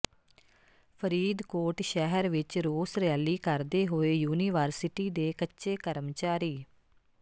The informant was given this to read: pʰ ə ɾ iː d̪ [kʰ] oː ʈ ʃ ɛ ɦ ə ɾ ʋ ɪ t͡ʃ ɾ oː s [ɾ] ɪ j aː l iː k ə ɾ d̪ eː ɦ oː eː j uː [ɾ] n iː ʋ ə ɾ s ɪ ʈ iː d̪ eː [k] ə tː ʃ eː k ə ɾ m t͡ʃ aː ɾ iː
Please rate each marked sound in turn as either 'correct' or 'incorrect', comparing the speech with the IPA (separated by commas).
incorrect, correct, incorrect, correct